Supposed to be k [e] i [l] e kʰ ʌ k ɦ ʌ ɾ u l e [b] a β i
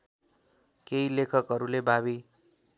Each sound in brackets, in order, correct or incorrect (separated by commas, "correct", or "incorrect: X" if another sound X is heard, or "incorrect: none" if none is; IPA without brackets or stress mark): correct, correct, correct